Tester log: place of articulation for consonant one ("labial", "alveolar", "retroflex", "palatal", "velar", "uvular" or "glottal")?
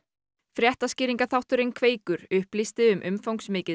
labial